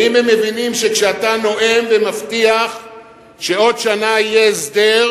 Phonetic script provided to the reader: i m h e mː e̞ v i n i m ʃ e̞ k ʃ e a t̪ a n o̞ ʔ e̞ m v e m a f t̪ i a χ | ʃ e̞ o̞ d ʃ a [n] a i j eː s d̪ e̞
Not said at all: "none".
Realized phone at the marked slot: n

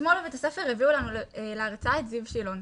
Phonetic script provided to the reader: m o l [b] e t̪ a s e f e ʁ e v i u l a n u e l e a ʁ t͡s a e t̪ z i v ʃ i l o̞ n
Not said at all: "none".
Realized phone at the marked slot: v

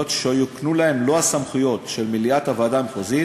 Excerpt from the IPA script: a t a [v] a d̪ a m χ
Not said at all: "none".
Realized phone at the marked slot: v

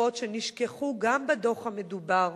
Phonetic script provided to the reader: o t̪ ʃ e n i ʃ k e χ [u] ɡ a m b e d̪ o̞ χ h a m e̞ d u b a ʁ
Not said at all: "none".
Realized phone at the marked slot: u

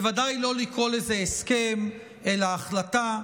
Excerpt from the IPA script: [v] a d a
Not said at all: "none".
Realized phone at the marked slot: v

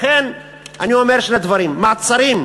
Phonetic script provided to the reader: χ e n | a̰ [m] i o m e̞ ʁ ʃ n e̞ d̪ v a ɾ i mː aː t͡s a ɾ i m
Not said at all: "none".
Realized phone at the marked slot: n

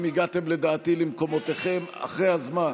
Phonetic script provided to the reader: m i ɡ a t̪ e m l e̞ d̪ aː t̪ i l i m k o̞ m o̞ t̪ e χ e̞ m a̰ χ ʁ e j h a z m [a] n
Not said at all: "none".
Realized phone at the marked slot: a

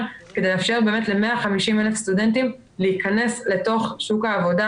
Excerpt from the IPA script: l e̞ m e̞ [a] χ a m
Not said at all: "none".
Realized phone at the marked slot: a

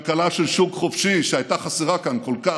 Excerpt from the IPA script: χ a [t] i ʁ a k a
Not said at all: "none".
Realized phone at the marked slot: s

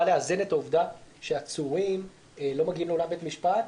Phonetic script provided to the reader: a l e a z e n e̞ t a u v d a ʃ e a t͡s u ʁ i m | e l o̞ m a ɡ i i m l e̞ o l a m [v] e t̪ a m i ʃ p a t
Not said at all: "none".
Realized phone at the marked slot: b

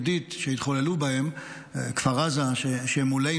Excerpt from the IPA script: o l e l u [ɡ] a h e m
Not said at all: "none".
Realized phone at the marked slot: b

